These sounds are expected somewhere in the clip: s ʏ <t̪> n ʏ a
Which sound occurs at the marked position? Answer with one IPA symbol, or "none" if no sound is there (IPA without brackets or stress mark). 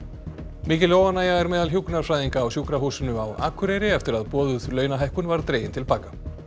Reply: none